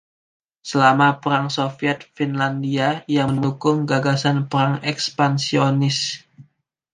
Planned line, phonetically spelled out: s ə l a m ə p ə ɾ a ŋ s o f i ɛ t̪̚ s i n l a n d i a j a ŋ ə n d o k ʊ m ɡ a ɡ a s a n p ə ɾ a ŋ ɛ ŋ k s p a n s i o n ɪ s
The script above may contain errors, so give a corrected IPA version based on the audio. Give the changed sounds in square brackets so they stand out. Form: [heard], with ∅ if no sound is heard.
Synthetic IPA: s ə l a m [a] p ə ɾ a ŋ s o f i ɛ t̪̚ [f] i n l a n d i a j a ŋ ə n d [u] k ʊ [ŋ] ɡ a ɡ a s a n p ə ɾ a ŋ ɛ [∅] k s p a n s i o n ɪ s